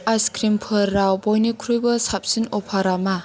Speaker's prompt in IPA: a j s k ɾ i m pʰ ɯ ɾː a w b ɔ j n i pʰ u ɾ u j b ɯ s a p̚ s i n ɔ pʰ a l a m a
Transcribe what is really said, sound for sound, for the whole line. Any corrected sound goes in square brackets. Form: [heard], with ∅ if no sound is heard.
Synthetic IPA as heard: a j s k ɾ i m pʰ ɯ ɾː a w b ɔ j n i [kʰ] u ɾ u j b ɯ s a p̚ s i n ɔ pʰ a [ɾ] a m a